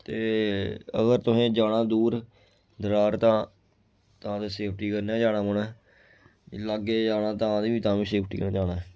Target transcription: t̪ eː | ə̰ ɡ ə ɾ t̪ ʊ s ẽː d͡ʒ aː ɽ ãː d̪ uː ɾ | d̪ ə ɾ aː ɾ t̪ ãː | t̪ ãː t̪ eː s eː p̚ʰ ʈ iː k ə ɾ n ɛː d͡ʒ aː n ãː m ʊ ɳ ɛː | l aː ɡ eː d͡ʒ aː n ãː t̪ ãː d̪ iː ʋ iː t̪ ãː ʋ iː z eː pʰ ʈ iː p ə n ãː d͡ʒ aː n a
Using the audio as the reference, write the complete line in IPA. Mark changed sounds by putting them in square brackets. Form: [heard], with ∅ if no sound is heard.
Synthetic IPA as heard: t̪ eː | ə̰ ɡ ə ɾ t̪ ʊ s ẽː d͡ʒ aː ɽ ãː d̪ uː ɾ | d̪ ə ɾ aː ɾ t̪ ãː | t̪ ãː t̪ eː s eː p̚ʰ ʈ iː k ə ɾ n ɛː d͡ʒ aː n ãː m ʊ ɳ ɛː | l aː ɡ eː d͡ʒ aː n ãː t̪ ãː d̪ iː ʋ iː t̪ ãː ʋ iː [s] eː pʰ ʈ iː [k] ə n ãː d͡ʒ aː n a